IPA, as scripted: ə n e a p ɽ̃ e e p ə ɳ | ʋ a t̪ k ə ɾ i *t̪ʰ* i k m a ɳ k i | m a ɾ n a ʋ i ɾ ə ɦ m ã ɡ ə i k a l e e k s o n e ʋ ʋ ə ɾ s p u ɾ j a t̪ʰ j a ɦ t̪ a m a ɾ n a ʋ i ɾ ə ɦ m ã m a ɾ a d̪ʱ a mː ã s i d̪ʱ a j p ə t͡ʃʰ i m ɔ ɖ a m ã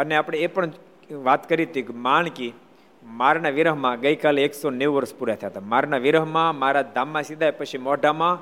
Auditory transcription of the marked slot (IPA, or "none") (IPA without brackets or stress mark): t̪